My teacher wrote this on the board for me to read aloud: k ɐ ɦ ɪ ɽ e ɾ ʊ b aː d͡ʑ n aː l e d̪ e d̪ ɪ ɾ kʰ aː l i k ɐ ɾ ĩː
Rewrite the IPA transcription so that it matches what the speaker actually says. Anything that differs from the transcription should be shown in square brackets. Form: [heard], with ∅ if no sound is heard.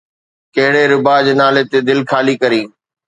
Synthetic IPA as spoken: k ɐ ɦ ɪ ɽ e ɾ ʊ b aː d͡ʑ n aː l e [t̪] e d̪ ɪ [l] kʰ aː l i k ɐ ɾ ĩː